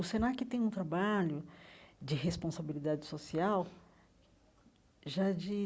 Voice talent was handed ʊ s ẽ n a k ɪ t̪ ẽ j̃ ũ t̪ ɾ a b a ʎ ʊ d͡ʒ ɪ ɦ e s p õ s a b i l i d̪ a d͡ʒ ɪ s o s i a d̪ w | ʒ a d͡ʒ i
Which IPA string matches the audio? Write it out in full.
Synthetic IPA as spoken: ʊ s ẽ n a k ɪ t̪ ẽ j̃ ũ t̪ ɾ a b a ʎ ʊ d͡ʒ ɪ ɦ e s p õ s a b i l i d̪ a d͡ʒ ɪ s o s i a w | ʒ a d͡ʒ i